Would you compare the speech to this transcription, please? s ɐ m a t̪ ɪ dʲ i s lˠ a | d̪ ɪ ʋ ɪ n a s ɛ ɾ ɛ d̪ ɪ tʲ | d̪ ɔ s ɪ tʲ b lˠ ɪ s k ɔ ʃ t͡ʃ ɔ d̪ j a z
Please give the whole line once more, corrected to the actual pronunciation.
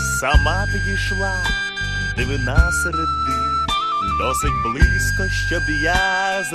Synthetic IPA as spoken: s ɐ m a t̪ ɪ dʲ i ʃ lˠ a | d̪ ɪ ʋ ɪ n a s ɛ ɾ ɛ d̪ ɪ | d̪ ɔ s ɪ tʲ b lˠ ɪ s k ɔ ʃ t͡ʃ ɔ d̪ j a z